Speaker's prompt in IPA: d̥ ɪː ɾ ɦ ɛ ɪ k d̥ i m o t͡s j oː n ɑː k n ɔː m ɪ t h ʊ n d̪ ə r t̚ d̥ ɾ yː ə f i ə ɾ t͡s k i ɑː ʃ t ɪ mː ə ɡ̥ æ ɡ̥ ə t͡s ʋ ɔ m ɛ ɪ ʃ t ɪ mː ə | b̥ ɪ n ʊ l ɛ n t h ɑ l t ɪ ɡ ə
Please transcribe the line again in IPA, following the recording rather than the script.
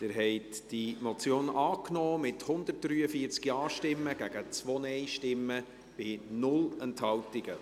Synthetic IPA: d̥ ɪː ɾ ɦ ɛ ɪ t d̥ i m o t͡s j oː n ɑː k n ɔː m ɪ t h ʊ n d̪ ə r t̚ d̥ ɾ yː ə f i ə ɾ t͡s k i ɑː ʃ t ɪ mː ə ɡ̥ æ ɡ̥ ə t͡s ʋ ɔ n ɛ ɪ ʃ t ɪ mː ə | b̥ ɪ n ʊ l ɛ n t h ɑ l t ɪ ɡ ə